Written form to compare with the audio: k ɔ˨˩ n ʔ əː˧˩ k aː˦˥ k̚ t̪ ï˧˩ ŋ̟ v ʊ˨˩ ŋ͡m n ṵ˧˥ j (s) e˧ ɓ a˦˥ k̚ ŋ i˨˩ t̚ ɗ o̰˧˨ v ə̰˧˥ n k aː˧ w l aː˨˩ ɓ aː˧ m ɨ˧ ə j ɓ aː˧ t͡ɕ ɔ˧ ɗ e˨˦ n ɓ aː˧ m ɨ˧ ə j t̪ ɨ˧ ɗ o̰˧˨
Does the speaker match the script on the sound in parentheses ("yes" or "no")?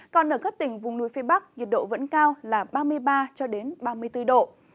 no